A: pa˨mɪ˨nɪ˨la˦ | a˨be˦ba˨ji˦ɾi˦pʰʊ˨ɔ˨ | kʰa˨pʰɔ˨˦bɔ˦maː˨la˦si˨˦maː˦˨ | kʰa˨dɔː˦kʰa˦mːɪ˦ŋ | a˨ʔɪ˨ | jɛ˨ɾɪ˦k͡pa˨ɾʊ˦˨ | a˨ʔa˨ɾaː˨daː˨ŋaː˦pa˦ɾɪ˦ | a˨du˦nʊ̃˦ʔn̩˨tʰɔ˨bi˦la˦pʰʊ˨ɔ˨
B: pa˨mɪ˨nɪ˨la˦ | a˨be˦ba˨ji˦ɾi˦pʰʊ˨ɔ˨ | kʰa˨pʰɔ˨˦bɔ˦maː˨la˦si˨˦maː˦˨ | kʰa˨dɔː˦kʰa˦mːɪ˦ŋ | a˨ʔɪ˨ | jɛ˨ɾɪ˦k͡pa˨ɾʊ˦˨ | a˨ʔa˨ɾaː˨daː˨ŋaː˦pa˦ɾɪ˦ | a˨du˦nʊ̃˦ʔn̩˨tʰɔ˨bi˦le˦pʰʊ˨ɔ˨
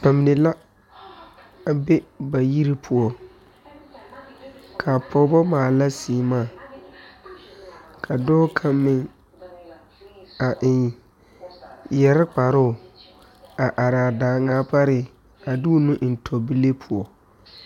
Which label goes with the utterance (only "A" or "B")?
B